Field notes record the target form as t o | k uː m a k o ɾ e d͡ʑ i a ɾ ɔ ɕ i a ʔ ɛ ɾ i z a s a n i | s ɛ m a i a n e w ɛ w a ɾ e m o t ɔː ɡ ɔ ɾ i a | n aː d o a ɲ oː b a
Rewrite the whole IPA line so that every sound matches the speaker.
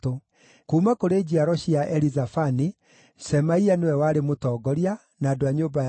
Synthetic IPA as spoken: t o | k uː m a k o ɾ e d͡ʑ i a ɾ ɔ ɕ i a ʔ ɛ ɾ i z a f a n i | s ɛ m a i a n e w ɛ w a ɾ e m o t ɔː ɡ ɔ ɾ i a | n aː d o a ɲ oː b a